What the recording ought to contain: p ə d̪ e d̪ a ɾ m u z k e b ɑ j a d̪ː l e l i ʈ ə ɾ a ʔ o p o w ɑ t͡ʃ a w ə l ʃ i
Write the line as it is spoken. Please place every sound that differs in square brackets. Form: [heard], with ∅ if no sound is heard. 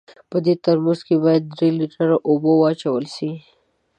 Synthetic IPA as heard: p ə d̪ e [t̪] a ɾ m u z k e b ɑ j a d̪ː [ɾ] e l i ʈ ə ɾ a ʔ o [b] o w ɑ t͡ʃ a w ə l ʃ i

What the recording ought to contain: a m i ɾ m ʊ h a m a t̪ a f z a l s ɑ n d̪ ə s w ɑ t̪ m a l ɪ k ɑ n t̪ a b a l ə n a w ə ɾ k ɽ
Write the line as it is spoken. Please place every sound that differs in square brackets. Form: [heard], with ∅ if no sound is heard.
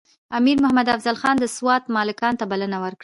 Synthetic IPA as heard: a m i ɾ m ʊ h a m a [d̪] a f z a l [x] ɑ n d̪ ə s w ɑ t̪ m [ɑ] l ɪ k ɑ n t̪ a b a l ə n a w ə ɾ k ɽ

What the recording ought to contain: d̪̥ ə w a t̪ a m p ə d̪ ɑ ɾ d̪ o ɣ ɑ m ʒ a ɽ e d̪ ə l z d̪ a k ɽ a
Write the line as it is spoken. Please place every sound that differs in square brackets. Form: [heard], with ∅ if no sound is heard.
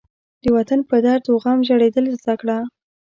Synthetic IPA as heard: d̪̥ ə w a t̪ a [n] p ə d̪ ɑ ɾ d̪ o ɣ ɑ m ʒ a ɽ e d̪ ə l z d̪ a k ɽ a

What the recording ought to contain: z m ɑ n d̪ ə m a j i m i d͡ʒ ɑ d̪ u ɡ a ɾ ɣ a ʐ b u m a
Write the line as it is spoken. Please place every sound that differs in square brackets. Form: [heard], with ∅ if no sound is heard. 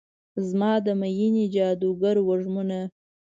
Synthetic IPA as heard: z m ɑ [∅] d̪ ə m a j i [n] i d͡ʒ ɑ d̪ u ɡ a ɾ [w] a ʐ [m] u [n] a

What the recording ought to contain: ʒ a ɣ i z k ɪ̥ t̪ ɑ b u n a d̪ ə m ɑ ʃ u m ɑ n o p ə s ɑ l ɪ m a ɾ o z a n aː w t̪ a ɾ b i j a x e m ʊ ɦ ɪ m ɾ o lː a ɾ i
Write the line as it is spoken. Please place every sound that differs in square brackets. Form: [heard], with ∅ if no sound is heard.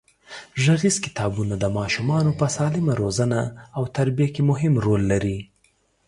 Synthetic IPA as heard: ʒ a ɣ i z k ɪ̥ t̪ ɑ b u n a d̪ ə m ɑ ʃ u m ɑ n o p ə s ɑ l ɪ m a ɾ o z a n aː w t̪ a ɾ b i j a [k] e m ʊ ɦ ɪ m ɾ o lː a ɾ i

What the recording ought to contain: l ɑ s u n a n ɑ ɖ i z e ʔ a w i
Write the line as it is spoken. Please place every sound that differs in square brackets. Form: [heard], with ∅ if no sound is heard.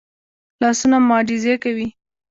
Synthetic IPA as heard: l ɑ s u n a [m] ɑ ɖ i z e [k] a w i

